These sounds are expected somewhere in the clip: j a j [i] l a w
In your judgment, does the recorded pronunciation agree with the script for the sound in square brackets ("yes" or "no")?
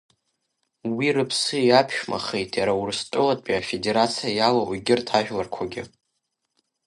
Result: no